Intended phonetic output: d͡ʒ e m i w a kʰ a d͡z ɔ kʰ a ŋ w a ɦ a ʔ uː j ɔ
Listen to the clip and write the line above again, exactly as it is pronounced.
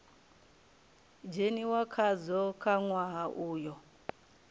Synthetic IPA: d͡ʒ e n i w a kʰ a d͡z ɔ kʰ a ŋ w a ɦ a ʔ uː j ɔ